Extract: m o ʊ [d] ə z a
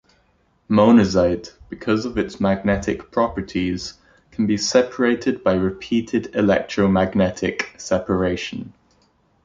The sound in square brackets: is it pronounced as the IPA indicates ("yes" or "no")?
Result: no